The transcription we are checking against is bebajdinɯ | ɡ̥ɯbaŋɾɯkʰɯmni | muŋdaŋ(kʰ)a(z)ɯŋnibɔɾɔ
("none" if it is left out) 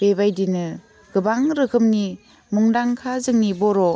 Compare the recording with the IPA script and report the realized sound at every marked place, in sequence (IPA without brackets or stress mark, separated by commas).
kʰ, z